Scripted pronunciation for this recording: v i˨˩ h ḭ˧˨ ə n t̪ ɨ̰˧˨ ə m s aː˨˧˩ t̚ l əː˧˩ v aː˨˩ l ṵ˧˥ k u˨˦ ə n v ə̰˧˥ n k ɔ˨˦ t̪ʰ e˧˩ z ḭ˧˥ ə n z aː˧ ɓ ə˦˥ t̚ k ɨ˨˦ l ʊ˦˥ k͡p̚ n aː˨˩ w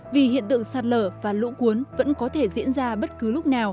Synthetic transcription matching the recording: v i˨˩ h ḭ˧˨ ə n t̪ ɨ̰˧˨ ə ŋ s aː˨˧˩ t̚ l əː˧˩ v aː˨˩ l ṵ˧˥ k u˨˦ ə n v ə̰˧˥ n k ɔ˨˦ t̪ʰ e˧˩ z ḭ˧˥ ə n z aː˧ ɓ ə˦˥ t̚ k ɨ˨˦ l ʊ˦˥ k͡p̚ n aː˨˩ w